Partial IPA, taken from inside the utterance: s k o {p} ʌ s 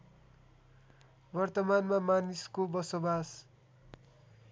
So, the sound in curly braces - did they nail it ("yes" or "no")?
no